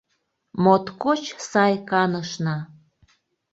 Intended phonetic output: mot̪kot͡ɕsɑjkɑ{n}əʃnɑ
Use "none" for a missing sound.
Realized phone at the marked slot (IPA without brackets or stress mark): n